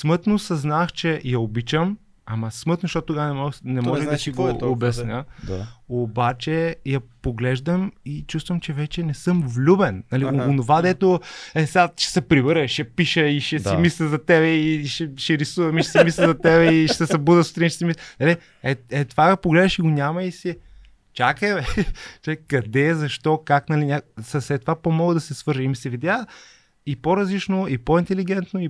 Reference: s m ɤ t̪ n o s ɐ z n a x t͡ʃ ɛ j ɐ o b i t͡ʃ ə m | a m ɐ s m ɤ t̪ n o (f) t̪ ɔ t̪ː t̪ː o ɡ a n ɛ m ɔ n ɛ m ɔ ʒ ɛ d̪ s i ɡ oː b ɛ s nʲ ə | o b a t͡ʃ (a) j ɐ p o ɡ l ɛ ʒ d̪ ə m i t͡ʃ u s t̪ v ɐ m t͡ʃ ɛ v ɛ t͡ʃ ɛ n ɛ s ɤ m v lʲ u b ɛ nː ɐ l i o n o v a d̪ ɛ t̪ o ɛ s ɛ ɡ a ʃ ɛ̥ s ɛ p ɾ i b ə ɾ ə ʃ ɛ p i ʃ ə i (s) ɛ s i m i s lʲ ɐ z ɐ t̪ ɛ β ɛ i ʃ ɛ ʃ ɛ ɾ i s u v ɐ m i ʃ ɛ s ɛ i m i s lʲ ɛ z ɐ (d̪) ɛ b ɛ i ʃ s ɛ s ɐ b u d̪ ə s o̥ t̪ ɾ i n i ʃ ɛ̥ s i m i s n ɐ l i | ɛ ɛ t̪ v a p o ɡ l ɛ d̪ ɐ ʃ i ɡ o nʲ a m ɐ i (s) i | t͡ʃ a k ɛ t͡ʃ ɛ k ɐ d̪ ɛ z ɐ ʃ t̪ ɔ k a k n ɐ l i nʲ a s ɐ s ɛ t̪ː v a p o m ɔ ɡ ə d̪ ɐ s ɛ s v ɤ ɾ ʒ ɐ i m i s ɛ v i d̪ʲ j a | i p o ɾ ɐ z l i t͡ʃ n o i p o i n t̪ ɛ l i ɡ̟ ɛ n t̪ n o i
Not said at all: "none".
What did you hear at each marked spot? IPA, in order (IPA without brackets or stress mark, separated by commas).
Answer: ʃ, ɛ, ʃ, t̪, s